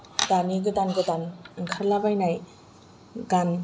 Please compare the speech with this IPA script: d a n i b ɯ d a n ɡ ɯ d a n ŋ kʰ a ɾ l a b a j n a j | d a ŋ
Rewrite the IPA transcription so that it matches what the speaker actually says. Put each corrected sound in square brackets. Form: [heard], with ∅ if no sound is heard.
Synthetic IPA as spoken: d a n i [ɡ] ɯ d a n ɡ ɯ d a n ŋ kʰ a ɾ l a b a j n a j | [ɡ] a [n]